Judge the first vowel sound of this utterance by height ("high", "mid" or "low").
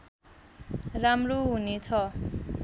low